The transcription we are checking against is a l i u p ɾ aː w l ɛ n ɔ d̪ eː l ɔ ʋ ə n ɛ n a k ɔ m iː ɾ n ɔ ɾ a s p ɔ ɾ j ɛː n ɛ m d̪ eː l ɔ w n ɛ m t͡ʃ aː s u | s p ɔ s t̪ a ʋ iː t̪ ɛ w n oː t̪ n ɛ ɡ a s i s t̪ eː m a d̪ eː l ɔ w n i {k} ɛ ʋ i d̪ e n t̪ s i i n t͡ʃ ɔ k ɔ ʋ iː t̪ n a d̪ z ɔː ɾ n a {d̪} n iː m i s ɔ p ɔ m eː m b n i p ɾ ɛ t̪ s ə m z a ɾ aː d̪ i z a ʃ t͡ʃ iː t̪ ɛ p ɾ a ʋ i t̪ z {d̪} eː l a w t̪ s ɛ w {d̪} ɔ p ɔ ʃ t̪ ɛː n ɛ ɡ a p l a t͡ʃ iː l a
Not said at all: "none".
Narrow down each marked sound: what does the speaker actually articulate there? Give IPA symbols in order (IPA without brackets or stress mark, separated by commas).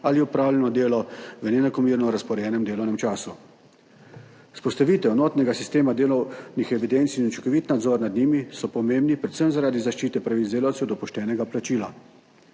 x, d̪, d̪, d̪